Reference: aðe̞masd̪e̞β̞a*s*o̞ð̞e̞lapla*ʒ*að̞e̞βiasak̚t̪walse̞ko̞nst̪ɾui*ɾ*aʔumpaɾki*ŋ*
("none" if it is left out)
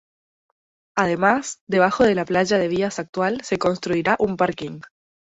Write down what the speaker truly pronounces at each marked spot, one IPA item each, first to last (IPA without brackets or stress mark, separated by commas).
x, ʒ, ɾ, ŋ